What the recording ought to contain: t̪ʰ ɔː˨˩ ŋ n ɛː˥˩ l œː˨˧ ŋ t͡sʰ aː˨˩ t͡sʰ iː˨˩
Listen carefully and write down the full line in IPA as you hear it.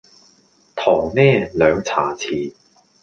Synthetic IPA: t̪ʰ ɔː˨˩ ŋ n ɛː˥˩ l œː˨˧ ŋ t͡sʰ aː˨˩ t͡sʰ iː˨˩